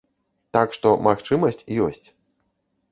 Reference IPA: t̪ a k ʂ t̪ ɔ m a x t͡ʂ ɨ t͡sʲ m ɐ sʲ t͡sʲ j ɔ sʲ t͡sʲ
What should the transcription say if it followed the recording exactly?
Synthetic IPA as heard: t̪ a k ʂ t̪ ɔ m a x t͡ʂ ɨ m ɐ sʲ t͡sʲ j ɔ sʲ t͡sʲ